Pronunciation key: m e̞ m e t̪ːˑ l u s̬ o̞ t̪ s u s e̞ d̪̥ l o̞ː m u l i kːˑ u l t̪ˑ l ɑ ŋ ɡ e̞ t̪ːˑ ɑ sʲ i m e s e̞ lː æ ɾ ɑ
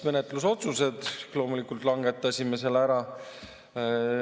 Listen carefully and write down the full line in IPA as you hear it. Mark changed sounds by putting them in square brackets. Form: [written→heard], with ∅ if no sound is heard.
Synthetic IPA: m e̞ [m→n] e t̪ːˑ l u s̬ o̞ t̪ s u s e̞ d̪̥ l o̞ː m u l i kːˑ u l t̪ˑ l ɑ ŋ ɡ e̞ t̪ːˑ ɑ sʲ i m e s e̞ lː æ ɾ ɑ